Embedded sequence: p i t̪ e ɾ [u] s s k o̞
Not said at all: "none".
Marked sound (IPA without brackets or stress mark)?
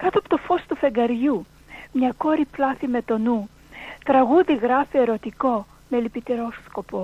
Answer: o